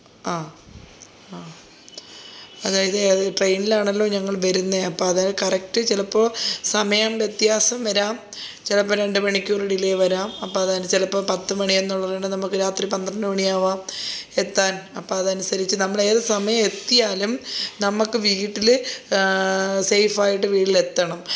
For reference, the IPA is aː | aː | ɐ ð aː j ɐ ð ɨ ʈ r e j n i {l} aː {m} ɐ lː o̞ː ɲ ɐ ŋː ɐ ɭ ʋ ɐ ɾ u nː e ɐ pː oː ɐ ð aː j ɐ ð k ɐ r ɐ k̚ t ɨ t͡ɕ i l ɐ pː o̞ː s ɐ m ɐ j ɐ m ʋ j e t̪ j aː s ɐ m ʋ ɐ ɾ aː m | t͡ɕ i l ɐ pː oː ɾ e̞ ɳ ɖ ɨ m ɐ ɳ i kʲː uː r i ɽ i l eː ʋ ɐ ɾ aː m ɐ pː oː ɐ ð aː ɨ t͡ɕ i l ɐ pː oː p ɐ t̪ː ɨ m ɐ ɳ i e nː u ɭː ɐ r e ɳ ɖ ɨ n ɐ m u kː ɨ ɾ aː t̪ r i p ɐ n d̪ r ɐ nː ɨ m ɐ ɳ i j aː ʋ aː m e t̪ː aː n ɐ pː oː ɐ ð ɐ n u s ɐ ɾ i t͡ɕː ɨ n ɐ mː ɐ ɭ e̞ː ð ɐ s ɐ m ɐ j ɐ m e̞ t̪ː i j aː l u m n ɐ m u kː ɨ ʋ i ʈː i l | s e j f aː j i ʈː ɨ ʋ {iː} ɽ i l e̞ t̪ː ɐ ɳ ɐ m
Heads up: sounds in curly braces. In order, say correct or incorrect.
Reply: correct, incorrect, correct

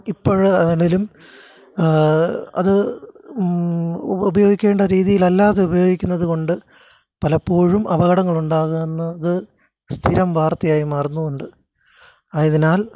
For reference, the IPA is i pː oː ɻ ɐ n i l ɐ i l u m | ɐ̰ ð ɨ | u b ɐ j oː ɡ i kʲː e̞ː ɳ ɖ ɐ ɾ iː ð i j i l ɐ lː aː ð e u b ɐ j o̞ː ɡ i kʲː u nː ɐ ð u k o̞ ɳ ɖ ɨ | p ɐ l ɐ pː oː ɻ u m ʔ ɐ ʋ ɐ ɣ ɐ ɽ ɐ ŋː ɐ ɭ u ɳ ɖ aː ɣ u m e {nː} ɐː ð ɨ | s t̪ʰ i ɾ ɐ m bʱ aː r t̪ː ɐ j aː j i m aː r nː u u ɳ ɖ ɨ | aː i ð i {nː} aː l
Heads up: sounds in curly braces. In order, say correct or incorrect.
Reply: correct, incorrect

